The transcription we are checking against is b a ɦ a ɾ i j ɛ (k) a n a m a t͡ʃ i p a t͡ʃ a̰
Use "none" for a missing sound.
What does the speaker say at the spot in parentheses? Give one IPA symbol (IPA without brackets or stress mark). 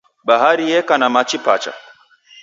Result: k